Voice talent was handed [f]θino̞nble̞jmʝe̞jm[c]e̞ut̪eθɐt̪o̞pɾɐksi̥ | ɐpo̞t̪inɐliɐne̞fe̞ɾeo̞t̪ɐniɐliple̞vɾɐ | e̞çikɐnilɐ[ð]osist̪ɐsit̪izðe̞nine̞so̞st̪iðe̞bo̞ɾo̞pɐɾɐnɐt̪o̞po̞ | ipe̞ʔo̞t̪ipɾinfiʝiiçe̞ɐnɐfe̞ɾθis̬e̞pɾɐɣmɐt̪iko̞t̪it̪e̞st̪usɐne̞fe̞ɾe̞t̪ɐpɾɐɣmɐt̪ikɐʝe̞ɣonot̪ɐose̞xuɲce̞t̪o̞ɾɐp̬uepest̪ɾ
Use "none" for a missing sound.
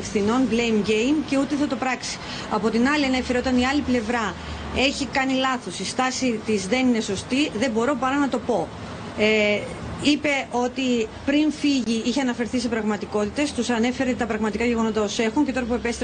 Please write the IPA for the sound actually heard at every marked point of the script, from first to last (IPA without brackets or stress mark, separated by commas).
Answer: f, c, θ